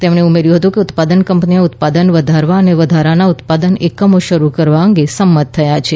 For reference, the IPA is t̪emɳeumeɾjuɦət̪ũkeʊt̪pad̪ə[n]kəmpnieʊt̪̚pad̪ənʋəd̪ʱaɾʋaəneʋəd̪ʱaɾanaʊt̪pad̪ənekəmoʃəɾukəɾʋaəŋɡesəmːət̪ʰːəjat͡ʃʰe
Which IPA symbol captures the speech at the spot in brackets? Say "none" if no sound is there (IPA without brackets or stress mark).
n